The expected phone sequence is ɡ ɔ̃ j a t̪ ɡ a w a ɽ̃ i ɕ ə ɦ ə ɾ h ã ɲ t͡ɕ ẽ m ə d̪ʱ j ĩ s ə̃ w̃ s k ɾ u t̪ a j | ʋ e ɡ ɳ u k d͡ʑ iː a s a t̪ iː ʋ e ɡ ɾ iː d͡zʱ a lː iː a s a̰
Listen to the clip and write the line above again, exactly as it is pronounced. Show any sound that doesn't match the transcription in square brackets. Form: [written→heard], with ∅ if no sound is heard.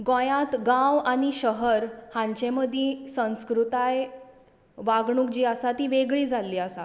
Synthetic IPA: ɡ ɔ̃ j a t̪ ɡ a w a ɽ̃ i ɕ ə ɦ ə ɾ h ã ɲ t͡ɕ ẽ m ə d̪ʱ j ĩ s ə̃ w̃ s k ɾ u t̪ a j | ʋ [e→a] ɡ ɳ u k d͡ʑ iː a s a t̪ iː ʋ e ɡ [ɾ→ɭ] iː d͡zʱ a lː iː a s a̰